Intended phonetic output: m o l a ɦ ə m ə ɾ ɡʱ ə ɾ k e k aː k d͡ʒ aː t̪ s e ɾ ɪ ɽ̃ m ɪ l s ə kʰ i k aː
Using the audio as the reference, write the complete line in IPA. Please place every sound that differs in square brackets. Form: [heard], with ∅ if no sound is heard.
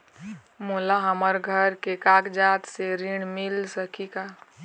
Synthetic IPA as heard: m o l a ɦ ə m ə ɾ ɡʱ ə ɾ k e k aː k d͡ʒ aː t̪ s e ɾ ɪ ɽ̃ m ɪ l s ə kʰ i k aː